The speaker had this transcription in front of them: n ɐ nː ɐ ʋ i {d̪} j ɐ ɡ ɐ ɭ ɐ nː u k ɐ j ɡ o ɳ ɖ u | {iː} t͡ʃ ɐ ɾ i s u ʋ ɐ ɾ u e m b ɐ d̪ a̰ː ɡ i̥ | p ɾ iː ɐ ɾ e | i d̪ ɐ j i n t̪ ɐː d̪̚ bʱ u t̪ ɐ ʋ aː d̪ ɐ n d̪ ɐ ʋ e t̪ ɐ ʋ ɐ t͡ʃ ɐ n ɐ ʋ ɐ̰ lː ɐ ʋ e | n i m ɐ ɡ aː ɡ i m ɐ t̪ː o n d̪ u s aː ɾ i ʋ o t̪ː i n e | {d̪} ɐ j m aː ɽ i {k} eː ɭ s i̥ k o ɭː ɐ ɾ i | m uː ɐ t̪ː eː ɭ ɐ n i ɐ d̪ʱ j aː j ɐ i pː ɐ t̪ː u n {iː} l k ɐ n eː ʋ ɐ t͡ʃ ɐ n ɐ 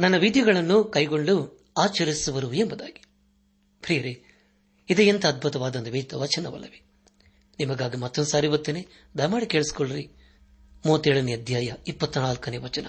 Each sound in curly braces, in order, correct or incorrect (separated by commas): correct, incorrect, correct, correct, incorrect